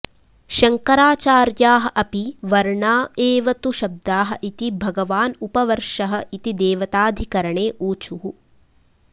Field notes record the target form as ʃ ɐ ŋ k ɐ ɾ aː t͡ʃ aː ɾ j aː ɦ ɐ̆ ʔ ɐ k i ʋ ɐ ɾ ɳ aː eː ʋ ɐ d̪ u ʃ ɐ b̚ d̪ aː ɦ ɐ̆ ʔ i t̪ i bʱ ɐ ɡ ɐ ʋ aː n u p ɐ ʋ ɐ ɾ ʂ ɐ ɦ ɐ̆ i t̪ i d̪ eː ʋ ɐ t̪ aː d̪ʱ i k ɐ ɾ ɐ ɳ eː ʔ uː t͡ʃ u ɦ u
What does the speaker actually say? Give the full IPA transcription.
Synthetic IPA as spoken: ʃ ɐ ŋ k ɐ ɾ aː t͡ʃ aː ɾ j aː ɦ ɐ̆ ʔ ɐ p i ʋ ɐ ɾ ɳ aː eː ʋ ɐ t̪ u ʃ ɐ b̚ d̪ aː ɦ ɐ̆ ʔ i t̪ i bʱ ɐ ɡ ɐ ʋ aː n u p ɐ ʋ ɐ ɾ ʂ ɐ ɦ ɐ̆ i t̪ i d̪ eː ʋ ɐ t̪ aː d̪ʱ i k ɐ ɾ ɐ ɳ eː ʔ uː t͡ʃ u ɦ u